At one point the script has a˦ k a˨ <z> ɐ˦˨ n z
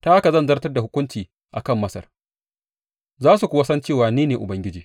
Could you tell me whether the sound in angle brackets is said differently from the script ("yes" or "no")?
no